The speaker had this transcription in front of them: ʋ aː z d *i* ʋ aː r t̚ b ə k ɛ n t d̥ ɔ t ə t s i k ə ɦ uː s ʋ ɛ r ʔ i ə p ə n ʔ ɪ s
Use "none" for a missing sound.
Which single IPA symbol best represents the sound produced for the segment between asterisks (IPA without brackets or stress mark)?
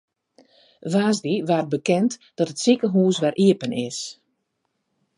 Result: i